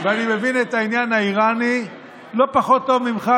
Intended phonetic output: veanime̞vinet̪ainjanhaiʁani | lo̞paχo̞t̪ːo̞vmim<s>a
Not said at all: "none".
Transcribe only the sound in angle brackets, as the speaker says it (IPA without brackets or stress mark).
χ